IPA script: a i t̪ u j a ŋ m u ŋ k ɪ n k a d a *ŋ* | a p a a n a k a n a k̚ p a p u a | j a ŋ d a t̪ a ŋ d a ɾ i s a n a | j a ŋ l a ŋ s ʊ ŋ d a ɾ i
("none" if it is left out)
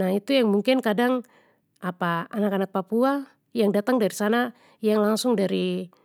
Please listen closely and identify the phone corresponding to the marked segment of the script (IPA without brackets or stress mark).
ŋ